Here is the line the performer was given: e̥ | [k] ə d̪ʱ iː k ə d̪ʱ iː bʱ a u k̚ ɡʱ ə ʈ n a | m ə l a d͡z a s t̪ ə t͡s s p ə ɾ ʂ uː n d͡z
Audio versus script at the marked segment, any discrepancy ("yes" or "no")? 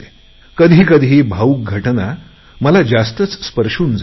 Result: no